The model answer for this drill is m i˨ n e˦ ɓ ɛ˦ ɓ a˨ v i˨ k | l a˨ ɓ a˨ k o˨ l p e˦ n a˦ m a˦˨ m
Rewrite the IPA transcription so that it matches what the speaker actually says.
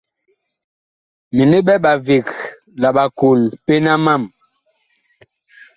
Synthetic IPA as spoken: m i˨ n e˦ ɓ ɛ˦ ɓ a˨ v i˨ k | l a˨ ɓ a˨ k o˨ l p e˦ n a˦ m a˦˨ m